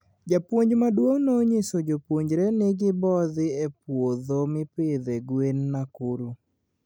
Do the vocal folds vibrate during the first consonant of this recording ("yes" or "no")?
yes